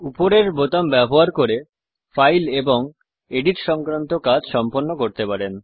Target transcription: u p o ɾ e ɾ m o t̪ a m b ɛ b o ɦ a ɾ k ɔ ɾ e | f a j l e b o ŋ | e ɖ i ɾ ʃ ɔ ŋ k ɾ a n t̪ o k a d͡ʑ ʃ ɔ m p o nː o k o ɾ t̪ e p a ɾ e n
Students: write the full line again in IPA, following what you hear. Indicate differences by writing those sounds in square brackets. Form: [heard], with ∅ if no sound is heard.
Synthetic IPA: u p o ɾ e ɾ [b] o t̪ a m b ɛ b o ɦ a ɾ k [o] ɾ e | f a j l e b o ŋ | e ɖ i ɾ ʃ ɔ ŋ k ɾ a n t̪ o k a d͡ʑ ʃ ɔ m p o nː o k o ɾ t̪ e p a ɾ e n